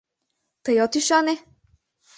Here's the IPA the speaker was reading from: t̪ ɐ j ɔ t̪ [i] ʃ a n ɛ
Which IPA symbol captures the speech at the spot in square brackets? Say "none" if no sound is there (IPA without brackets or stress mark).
i